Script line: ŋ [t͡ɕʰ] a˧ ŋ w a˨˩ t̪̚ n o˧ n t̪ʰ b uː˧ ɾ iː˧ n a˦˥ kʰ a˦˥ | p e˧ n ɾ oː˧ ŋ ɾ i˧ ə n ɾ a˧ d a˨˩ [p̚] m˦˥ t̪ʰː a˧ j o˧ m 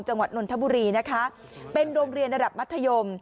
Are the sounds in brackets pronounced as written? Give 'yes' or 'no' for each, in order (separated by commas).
no, yes